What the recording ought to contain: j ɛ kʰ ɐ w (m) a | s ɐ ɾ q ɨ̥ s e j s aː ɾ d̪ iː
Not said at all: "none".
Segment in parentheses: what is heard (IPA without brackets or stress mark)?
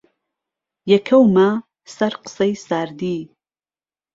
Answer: m